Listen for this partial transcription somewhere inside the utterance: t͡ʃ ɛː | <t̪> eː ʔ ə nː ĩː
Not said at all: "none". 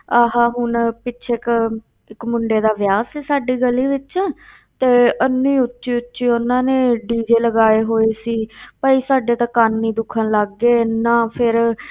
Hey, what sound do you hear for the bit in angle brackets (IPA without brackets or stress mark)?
t̪